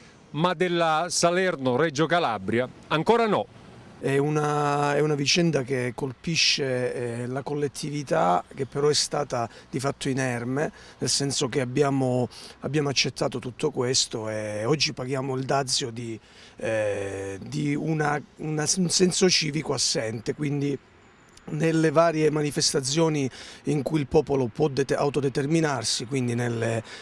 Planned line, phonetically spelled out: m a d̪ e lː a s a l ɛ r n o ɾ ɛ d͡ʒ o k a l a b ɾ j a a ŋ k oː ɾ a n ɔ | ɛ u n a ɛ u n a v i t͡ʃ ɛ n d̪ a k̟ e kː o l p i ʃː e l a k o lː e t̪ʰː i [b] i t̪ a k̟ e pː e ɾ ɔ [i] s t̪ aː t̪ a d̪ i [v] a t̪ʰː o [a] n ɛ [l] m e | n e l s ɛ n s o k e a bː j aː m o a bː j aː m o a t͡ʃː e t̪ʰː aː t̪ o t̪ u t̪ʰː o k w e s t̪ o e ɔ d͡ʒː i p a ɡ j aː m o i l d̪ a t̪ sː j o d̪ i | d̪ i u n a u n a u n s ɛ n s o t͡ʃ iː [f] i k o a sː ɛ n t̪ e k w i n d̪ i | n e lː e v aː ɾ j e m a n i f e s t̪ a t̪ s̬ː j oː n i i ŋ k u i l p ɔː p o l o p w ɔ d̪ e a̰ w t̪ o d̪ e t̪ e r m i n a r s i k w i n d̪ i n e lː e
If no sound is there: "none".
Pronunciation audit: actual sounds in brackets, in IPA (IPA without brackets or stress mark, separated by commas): v, ɛ, f, i, r, v